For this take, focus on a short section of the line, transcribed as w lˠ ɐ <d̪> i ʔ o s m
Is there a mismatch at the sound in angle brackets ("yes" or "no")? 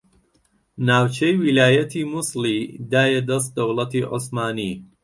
yes